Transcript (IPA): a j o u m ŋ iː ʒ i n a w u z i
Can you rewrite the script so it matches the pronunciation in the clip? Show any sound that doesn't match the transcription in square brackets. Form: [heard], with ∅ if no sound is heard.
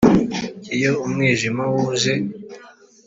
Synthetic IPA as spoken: [i] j o u m ŋ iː ʒ i [m] a w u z [e]